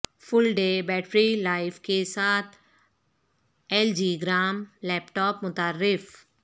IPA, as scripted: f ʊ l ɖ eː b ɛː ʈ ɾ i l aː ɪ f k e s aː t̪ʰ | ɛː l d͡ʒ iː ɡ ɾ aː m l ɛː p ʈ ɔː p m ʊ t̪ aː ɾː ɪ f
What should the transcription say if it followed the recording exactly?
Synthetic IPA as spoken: f ʊ l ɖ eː b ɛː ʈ ɾ i l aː ɪ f k e s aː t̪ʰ | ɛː l d͡ʒ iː ɡ ɾ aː m l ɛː p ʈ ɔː p m ʊ t̪ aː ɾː ɪ f